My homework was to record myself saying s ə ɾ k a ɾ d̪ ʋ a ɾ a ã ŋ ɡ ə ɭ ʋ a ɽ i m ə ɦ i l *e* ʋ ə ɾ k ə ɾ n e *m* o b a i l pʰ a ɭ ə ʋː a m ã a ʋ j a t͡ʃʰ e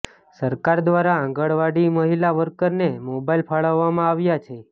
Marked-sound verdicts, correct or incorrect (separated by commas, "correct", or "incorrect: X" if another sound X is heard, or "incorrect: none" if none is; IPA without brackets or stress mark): incorrect: a, correct